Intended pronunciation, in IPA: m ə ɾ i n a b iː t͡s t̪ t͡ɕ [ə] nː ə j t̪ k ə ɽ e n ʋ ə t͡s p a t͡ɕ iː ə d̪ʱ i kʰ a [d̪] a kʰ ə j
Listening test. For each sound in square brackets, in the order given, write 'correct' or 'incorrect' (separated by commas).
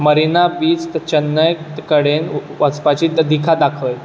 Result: correct, correct